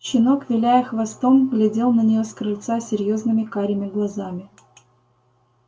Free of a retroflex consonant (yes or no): yes